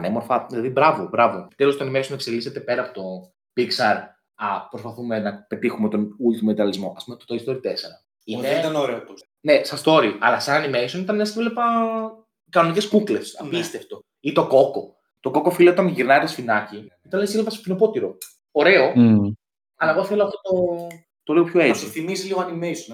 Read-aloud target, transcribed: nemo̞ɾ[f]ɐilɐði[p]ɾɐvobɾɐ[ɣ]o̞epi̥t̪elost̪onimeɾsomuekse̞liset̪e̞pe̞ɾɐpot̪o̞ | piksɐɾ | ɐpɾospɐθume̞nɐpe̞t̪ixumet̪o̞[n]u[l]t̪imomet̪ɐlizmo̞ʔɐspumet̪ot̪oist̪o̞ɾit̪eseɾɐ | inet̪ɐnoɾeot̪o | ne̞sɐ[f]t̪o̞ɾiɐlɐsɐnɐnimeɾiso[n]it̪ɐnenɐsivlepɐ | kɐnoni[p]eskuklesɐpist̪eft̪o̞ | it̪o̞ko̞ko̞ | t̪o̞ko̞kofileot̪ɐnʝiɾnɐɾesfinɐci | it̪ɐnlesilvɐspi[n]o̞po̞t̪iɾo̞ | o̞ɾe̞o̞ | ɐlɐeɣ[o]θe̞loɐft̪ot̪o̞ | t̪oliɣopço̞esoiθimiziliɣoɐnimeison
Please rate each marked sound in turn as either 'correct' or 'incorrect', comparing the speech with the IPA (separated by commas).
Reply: correct, incorrect, incorrect, correct, correct, incorrect, correct, incorrect, correct, correct